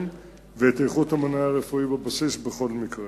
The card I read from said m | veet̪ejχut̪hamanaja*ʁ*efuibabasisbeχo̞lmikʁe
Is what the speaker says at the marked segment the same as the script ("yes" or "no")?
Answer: yes